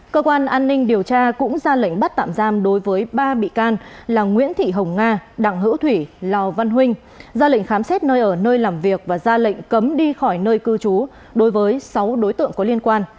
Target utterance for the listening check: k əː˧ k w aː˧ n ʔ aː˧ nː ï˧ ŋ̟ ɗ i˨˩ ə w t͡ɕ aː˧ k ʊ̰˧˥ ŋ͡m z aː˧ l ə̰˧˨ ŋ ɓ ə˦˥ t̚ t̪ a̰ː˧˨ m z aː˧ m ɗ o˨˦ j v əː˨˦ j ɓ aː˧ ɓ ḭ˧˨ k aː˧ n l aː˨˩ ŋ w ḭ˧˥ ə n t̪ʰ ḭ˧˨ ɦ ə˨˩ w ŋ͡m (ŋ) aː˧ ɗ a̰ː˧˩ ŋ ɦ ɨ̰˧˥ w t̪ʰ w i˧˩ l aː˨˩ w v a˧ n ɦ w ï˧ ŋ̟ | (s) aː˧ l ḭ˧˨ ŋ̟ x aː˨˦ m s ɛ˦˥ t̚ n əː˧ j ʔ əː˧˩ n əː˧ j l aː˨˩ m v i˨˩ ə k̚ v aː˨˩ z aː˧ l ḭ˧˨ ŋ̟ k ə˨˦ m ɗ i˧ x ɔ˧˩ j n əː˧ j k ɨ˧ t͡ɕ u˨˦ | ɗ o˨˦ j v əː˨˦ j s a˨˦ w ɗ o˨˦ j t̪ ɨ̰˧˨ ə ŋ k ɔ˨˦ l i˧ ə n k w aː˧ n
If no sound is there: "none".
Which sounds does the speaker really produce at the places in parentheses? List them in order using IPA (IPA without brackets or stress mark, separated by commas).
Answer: ŋ, z